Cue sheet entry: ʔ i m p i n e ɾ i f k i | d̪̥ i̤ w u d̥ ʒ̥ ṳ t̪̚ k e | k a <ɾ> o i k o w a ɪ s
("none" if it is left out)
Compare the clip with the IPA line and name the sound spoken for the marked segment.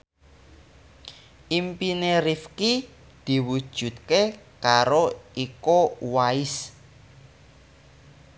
ɾ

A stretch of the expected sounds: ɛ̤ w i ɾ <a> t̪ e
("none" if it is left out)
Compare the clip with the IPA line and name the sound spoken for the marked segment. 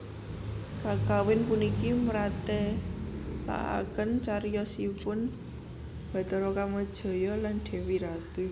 a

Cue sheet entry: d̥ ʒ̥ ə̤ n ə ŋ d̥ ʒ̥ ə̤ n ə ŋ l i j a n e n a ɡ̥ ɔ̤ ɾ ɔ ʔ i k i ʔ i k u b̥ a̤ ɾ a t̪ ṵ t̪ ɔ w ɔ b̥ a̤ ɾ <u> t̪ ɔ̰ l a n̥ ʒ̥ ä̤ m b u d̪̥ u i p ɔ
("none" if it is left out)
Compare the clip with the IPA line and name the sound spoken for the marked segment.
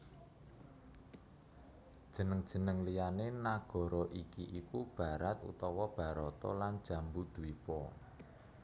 ɔ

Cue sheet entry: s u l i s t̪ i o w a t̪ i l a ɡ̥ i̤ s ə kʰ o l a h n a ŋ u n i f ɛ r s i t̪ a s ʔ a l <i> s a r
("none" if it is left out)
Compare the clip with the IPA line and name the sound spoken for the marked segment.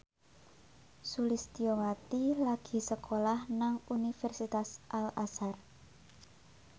a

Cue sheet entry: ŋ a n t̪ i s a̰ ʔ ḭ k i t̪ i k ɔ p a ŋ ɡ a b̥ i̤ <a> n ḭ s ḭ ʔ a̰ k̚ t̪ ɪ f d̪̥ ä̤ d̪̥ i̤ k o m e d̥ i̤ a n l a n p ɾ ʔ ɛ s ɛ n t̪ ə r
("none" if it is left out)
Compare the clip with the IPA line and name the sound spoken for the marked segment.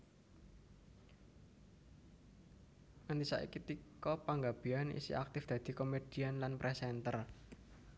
a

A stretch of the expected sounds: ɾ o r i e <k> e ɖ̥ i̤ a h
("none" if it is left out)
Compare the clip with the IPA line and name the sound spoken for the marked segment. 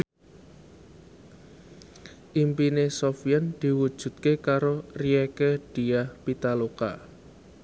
k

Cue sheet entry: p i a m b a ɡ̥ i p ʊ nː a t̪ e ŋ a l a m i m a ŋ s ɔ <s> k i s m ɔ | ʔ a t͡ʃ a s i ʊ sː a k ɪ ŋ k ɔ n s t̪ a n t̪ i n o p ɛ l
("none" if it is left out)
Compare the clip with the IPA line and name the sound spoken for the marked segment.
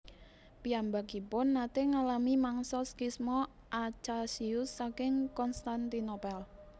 s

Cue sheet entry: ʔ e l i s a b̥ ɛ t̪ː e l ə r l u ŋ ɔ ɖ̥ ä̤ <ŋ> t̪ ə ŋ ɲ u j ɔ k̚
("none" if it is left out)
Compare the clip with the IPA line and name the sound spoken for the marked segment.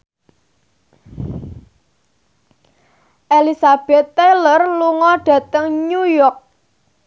none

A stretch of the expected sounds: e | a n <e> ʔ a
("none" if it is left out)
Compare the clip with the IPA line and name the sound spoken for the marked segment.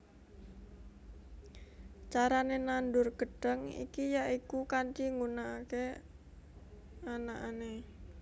a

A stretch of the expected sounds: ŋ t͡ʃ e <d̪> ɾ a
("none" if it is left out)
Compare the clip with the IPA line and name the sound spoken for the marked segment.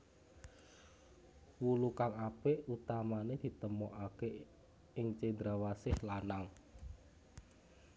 d̪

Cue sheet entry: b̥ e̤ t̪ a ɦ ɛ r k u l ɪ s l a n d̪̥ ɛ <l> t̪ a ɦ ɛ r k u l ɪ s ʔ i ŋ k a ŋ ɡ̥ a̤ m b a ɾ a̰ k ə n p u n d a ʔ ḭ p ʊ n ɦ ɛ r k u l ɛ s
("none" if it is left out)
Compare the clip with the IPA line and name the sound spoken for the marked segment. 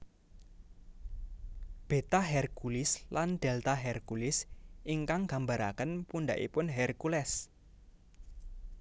l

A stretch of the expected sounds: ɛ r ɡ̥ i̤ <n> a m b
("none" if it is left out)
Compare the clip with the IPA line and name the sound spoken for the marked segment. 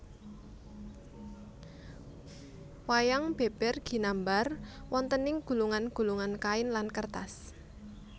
n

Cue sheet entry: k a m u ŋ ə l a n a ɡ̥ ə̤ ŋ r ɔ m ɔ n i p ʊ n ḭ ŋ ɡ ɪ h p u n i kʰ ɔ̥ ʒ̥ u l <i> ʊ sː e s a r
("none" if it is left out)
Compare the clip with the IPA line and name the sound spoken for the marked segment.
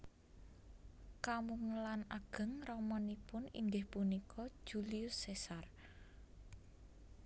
i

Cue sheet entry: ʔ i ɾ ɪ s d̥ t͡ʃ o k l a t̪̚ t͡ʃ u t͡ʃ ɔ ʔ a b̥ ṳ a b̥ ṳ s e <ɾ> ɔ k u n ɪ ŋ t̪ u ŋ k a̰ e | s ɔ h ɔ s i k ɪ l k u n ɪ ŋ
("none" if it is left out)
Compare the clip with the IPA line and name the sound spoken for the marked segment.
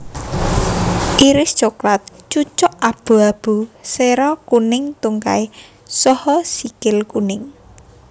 ɾ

